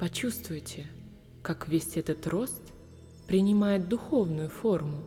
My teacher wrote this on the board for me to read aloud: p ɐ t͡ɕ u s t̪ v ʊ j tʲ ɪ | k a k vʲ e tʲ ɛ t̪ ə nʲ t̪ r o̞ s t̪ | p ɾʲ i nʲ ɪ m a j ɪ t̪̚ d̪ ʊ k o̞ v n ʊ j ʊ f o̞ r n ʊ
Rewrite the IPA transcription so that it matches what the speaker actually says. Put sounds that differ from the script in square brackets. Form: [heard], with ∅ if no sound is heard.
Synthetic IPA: p ɐ t͡ɕ u s t̪ v ʊ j tʲ ɪ | k a k vʲ e [sʲ] ɛ t̪ ə [∅] t̪ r o̞ s t̪ | p ɾʲ [ɪ] nʲ ɪ m a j ɪ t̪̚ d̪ ʊ [x] o̞ v n ʊ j ʊ f o̞ r [m] ʊ